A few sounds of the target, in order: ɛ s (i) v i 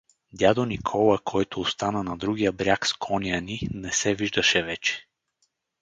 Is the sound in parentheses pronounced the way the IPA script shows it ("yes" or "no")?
no